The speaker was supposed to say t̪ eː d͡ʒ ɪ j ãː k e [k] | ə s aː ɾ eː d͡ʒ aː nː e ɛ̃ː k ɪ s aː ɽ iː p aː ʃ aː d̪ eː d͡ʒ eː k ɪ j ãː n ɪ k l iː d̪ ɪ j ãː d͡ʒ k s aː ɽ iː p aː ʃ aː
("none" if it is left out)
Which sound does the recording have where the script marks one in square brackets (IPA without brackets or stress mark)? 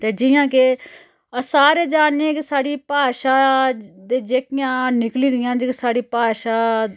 none